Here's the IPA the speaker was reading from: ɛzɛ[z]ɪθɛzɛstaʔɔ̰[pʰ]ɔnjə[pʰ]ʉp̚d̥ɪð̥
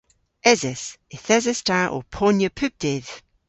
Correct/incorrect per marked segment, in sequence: incorrect: s, correct, correct

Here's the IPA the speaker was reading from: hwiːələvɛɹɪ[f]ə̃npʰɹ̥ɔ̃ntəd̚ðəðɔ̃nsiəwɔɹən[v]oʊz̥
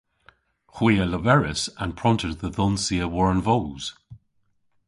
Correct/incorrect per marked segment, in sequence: incorrect: s, correct

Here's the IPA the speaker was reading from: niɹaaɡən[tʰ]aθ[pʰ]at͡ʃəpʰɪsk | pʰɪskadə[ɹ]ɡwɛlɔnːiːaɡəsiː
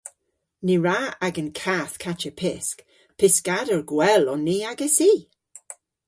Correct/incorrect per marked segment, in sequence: incorrect: kʰ, incorrect: kʰ, correct

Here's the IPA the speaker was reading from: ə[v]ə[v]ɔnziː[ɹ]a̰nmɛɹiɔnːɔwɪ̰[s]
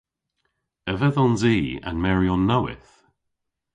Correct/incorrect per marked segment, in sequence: correct, incorrect: ð, incorrect: none, incorrect: θ

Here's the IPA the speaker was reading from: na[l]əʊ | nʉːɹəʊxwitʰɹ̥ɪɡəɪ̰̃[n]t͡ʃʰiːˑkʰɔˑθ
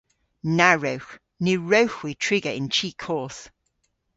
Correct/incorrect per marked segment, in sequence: incorrect: ɹ, correct

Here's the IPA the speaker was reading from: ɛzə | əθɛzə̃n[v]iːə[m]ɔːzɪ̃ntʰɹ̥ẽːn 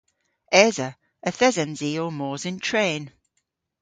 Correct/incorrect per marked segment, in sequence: incorrect: z, correct

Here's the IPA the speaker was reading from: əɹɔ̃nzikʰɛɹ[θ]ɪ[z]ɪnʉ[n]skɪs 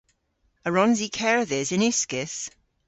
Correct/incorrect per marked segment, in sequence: incorrect: ð, correct, incorrect: none

